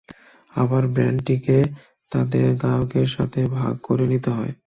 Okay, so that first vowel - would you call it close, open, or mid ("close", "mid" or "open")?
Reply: open